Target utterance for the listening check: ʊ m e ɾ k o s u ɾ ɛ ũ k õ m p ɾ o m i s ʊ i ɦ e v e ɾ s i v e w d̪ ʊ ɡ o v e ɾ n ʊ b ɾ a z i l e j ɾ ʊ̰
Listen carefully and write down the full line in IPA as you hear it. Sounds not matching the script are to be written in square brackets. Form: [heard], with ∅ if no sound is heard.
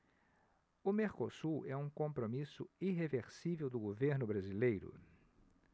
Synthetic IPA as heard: ʊ m e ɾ k o s u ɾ ɛ ũ k õ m p ɾ o m i s ʊ i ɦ e v e ɾ s i v e w d̪ ʊ ɡ o v e ɾ n ʊ b ɾ a z i l e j ɾ ʊ̰